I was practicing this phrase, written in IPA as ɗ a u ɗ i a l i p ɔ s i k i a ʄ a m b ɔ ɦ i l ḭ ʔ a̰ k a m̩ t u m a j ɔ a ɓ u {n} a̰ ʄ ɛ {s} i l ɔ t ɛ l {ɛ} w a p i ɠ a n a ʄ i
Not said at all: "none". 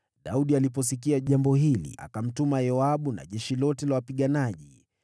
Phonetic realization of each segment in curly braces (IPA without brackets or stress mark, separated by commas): n, ʃ, a